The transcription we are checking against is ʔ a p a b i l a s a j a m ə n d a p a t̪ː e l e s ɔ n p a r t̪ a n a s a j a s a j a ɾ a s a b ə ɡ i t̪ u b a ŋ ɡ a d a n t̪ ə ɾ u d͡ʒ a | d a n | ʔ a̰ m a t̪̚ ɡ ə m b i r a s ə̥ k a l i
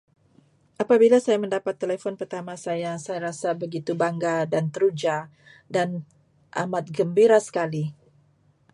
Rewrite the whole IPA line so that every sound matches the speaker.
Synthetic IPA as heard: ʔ a p a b i l a s a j a m ə n d a p a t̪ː e l e f ɔ n p ə r t̪ a m a s a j a s a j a ɾ a s a b ə ɡ i t̪ u b a ŋ ɡ a d a n t̪ ə ɾ u d͡ʒ a | d a n | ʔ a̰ m a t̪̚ ɡ ə m b i ɾ a s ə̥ k a l i